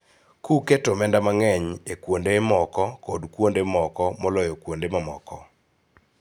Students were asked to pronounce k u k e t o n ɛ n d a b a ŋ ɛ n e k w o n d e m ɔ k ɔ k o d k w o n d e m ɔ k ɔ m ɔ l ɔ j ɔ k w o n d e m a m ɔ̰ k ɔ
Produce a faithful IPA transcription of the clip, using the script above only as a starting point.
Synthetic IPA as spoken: k u k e t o m ɛ n d a m a ŋ ɛ ɲ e k w o n d e m ɔ k ɔ k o d k w o n d e m ɔ k ɔ m ɔ l ɔ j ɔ k w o n d e m a m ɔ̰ k ɔ